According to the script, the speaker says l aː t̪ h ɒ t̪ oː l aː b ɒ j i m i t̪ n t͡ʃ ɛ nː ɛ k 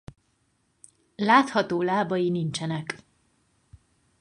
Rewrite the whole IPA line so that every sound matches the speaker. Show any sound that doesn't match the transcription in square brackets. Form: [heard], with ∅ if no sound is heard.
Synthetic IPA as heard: l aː t̪ h ɒ t̪ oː l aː b ɒ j i [n] i [∅] n t͡ʃ ɛ [n] ɛ k